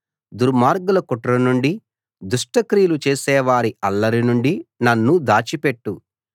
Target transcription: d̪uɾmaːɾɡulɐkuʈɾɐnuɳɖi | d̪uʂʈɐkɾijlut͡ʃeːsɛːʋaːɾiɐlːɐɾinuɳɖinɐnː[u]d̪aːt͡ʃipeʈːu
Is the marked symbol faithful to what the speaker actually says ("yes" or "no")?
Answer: yes